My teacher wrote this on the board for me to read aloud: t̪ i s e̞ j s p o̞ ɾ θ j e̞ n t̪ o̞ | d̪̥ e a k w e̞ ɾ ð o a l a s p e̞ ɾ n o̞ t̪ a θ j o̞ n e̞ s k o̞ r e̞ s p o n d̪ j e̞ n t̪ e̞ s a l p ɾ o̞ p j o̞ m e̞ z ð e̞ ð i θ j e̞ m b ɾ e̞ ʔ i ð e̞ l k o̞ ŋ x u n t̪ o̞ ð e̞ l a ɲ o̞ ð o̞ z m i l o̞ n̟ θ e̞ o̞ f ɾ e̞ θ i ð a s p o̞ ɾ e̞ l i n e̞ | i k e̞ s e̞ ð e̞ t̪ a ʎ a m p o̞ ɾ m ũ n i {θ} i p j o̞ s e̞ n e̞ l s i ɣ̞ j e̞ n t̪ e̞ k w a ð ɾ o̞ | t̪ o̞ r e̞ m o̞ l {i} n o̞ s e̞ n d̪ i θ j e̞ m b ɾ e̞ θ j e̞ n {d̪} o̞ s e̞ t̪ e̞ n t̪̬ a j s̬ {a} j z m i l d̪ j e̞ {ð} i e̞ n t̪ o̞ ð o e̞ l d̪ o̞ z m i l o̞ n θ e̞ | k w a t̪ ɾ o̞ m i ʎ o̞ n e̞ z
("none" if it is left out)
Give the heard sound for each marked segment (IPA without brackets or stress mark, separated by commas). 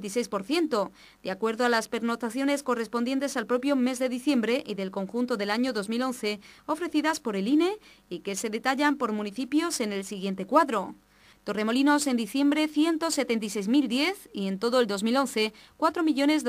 θ, i, t̪, e, θ